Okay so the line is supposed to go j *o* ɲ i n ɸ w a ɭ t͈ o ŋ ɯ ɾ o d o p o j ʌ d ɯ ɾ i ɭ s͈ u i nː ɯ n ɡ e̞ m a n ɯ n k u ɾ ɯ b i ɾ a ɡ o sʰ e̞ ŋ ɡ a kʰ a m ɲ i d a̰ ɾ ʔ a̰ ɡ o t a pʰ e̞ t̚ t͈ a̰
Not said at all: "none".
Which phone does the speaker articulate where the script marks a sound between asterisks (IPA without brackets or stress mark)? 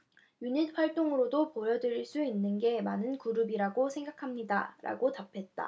u